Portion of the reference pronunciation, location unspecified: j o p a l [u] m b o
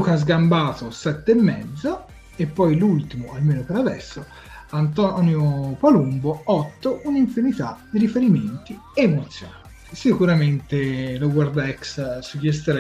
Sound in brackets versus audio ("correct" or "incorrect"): correct